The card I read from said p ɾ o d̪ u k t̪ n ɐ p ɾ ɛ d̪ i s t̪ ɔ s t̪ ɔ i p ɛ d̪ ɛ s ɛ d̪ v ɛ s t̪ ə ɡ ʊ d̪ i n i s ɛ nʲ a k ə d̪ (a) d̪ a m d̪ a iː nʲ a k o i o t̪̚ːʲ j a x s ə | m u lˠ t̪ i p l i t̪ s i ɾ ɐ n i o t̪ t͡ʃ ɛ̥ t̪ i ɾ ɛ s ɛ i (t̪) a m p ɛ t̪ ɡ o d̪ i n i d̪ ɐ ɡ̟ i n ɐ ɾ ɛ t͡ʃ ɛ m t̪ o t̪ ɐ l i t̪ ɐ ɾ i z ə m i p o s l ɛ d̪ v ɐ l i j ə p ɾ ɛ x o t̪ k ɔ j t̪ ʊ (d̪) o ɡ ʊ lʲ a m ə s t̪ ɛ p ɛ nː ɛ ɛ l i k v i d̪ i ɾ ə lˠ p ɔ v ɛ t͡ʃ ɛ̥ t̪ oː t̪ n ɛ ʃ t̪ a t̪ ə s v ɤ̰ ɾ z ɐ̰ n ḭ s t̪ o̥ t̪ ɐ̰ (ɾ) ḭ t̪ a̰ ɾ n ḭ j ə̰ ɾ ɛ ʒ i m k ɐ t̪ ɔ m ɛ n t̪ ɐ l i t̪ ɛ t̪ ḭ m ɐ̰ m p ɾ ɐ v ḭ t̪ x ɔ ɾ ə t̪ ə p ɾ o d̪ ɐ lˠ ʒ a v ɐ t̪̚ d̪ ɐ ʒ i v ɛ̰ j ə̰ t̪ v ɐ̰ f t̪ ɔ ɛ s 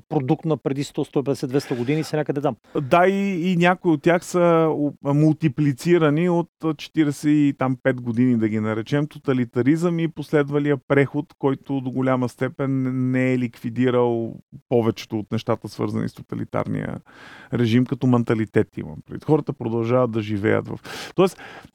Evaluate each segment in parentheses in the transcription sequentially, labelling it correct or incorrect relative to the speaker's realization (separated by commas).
incorrect, correct, correct, incorrect